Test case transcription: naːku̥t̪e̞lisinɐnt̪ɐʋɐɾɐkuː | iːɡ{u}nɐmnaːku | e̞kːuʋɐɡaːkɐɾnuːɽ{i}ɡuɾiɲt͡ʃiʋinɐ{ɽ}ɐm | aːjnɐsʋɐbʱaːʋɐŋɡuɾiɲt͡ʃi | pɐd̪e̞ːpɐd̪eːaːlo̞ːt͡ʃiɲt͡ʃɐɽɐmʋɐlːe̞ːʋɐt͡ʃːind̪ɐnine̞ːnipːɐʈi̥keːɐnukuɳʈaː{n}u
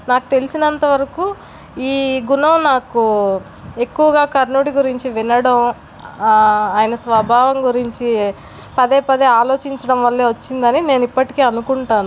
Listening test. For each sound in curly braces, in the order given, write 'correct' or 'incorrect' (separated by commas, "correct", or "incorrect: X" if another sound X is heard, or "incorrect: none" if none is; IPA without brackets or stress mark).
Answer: correct, correct, correct, correct